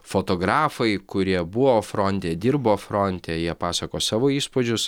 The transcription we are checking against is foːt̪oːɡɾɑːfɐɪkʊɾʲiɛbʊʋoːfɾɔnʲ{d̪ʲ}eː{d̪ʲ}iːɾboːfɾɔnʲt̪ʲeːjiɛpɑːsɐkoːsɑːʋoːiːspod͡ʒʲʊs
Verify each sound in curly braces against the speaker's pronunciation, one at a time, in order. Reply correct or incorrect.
incorrect: t̪ʲ, correct

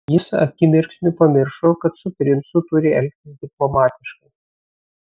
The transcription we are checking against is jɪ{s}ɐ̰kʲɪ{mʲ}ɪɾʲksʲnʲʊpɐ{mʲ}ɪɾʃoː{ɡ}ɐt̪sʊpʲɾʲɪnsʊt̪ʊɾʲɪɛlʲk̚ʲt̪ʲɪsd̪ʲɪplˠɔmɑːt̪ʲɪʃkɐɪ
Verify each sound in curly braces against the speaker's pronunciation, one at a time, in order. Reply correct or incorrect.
correct, correct, correct, incorrect: k

